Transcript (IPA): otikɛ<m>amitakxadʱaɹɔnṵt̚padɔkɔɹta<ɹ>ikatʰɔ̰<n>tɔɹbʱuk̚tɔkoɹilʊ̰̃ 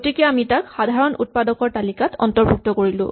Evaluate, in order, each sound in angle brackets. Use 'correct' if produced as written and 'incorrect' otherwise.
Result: incorrect: none, incorrect: l, correct

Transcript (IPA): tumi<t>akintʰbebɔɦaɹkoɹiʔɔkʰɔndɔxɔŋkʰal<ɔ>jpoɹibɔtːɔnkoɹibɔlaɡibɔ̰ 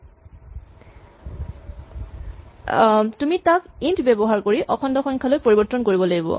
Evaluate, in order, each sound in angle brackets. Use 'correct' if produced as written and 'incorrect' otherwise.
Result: correct, incorrect: o

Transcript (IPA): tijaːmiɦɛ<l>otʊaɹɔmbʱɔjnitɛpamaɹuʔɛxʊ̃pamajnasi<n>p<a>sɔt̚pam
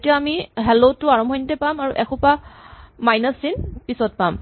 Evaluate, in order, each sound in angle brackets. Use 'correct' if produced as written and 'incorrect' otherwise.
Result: correct, correct, incorrect: i

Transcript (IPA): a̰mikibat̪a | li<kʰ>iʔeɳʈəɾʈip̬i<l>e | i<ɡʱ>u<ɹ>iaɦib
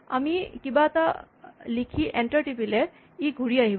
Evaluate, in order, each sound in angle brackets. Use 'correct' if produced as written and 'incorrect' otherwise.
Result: correct, correct, correct, incorrect: ɽ

